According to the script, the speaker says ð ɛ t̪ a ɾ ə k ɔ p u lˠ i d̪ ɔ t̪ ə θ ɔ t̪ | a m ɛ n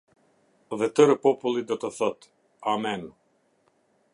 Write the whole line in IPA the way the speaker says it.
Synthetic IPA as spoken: ð ɛ t̪ ə ɾ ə p ɔ p u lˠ i d̪ ɔ t̪ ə θ ɔ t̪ | a m ɛ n